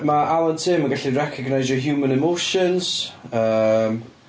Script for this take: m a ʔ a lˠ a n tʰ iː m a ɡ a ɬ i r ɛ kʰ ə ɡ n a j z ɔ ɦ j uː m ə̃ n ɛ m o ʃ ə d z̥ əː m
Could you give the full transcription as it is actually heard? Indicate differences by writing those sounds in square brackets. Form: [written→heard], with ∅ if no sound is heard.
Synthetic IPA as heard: m a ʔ a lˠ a n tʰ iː m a ɡ a ɬ i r ɛ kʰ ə ɡ n a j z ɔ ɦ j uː m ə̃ n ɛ m o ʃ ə [d→n] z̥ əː m